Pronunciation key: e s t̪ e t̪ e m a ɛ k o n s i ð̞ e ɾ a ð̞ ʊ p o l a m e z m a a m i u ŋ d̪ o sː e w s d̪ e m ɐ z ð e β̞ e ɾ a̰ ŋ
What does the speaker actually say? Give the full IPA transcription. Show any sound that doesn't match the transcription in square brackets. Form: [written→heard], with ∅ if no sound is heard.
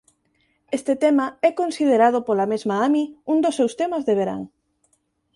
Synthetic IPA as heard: e s t̪ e t̪ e m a ɛ k o n s i ð̞ e ɾ a ð̞ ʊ p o l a m e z m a a m i u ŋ d̪ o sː e w s [d̪→t̪] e m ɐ z ð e β̞ e ɾ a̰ ŋ